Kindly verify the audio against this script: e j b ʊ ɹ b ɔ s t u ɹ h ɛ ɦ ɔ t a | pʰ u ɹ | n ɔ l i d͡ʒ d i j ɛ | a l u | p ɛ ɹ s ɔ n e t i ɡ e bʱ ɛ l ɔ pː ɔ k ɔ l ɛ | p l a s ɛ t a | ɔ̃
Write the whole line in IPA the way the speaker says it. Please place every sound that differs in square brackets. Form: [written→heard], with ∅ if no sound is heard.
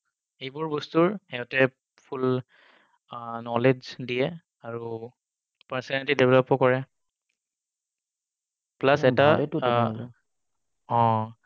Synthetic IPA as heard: e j b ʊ ɹ b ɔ s t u ɹ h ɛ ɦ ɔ t [a→ɛ] | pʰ u [ɹ→l] | n ɔ l [i→e] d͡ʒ d i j ɛ | a [l→ɹ] u | p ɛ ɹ s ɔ n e t i [ɡ→d] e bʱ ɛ l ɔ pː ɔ k ɔ [l→ɹ] ɛ | p l a s ɛ t a | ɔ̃